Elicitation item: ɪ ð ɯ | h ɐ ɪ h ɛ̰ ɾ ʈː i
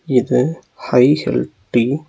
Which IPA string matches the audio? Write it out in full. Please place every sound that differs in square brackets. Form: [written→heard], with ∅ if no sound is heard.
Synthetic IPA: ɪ ð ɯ | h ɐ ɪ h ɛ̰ [ɾ→l] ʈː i